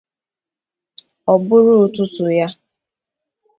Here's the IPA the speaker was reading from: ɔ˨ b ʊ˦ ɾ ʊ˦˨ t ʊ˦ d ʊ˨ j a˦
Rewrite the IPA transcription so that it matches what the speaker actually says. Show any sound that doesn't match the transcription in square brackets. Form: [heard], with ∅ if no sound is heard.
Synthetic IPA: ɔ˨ b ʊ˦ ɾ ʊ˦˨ t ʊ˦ [t] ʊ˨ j a˦